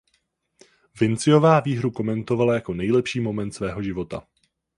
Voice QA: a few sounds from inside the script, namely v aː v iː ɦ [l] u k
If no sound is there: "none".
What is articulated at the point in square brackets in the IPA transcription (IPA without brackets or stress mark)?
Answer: ɾ